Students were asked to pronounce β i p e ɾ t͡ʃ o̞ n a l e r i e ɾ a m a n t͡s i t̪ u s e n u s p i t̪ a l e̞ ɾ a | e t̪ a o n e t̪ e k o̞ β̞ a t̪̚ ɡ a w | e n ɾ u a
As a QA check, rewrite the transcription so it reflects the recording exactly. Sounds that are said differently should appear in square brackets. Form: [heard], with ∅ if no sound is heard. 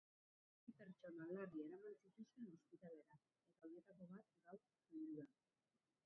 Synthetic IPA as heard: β i p e ɾ t͡ʃ o̞ n a l [a] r i e ɾ a m a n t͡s i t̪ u s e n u s p i t̪ a l e̞ ɾ a | e t̪ a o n e t̪ [a] k o̞ β̞ a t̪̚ ɡ a w | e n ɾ u a